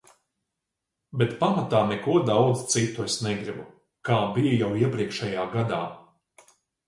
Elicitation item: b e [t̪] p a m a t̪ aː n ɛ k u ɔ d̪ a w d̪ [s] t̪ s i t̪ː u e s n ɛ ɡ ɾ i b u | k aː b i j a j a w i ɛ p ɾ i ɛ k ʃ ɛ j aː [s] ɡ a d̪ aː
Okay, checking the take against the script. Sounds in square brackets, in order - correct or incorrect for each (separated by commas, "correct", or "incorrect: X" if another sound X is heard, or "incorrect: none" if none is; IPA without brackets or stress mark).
correct, incorrect: z, incorrect: none